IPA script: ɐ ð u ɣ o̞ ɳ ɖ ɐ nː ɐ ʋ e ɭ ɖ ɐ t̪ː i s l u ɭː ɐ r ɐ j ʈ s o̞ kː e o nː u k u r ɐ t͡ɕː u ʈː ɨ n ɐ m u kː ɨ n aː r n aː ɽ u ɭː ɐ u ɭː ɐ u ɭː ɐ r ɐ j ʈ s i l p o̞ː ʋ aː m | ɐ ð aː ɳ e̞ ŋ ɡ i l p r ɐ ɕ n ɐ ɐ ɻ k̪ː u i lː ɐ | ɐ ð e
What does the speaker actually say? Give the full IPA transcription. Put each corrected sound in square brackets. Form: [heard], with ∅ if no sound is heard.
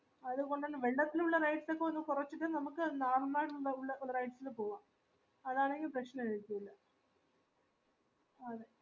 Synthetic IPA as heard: ɐ ð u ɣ o̞ ɳ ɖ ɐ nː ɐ ʋ e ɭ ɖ ɐ t̪ː i [∅] l u ɭː ɐ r ɐ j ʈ s o̞ kː e o nː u k u r ɐ t͡ɕː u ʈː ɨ n ɐ m u kː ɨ n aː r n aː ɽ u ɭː ɐ u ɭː ɐ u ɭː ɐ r ɐ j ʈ s i l p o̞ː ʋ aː m | ɐ ð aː ɳ e̞ ŋ ɡ i l p r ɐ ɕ n ɐ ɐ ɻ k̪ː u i lː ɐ | ɐ ð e